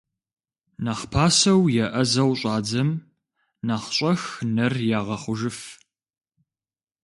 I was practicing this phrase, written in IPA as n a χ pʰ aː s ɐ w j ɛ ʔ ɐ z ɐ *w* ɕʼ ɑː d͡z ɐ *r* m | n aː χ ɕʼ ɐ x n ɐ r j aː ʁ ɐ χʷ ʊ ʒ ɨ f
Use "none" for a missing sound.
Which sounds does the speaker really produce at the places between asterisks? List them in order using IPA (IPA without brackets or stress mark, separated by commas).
w, none